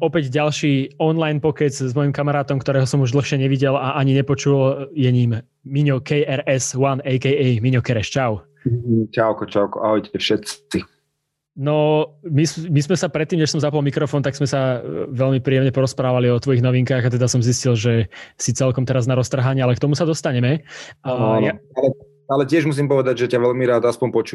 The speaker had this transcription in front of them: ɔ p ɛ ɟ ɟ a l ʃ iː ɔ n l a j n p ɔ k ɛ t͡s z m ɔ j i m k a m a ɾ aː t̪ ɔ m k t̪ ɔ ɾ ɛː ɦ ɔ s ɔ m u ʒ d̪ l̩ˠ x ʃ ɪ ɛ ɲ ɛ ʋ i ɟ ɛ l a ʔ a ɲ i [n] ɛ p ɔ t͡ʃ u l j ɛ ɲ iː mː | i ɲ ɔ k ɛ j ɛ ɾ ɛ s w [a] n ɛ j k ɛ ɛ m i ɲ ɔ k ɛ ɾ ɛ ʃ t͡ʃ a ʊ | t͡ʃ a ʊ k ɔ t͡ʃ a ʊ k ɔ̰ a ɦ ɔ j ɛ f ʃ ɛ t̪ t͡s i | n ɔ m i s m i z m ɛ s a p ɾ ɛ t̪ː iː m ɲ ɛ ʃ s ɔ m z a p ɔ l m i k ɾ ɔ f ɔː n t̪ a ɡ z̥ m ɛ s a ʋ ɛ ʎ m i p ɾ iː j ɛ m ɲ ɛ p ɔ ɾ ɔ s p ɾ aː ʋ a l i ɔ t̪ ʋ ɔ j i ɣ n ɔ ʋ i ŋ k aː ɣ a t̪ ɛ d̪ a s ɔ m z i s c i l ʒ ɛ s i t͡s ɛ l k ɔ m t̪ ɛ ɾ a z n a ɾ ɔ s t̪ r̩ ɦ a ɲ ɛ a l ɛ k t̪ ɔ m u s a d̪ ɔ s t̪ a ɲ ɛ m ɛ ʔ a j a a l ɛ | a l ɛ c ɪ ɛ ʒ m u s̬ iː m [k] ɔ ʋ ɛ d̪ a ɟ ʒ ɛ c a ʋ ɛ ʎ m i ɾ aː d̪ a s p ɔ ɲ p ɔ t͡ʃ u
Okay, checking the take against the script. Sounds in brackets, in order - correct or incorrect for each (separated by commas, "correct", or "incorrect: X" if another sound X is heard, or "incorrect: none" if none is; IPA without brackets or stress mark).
incorrect: ɲ, correct, incorrect: p